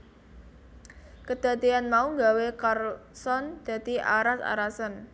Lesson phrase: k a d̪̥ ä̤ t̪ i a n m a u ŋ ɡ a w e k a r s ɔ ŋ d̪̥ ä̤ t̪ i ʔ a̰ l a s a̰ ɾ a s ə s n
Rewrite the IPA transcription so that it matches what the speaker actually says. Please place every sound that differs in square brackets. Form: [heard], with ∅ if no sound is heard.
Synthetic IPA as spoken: k [ə] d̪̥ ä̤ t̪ i a n m a u ŋ ɡ a w e k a r s ɔ [n] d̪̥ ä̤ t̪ i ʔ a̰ [ɾ] a s a̰ ɾ a s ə [∅] n